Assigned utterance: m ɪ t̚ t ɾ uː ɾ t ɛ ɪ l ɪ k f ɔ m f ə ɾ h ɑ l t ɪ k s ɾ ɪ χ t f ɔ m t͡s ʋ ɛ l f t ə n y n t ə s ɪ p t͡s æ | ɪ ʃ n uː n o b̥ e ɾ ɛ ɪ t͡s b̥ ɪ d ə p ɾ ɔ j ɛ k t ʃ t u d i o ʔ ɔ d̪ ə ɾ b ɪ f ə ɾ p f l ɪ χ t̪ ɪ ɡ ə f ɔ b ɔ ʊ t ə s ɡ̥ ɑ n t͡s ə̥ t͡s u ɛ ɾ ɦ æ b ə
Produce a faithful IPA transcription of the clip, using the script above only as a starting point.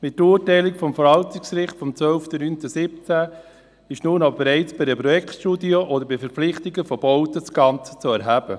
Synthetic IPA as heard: m ɪ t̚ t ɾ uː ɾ t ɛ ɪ l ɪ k f ɔ m f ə ɾ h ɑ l t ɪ k s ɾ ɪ χ t f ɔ m t͡s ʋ œ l f t ə n y n t ə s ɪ p t͡s æ | ɪ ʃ n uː n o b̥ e ɾ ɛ ɪ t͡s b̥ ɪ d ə p ɾ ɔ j ɛ k t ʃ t u d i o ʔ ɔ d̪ ə ɾ b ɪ f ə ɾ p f l ɪ χ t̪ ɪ ɡ ə f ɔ b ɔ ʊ t ə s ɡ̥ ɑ n t͡s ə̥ t͡s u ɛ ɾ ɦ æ b ə